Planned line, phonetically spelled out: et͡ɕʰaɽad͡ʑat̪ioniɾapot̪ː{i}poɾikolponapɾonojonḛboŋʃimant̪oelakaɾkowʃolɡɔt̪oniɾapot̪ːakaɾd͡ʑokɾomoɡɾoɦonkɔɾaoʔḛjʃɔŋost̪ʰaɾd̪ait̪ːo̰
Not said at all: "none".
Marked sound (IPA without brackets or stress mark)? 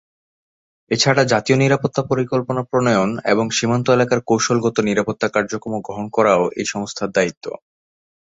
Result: a